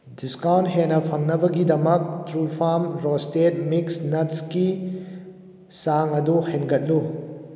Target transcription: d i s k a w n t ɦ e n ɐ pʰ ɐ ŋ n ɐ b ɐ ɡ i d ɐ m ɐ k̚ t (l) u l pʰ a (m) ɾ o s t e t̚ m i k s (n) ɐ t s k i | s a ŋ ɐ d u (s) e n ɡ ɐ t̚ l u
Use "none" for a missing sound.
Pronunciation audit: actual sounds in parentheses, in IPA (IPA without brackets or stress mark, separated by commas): ɾ, m, n, h